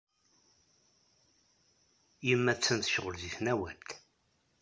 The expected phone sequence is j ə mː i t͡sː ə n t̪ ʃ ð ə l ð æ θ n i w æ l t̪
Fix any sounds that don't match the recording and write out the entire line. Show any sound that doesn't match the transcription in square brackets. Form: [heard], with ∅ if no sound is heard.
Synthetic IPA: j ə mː [æ] t͡sː ə n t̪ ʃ [ʁ] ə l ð [i] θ n [æ] w æ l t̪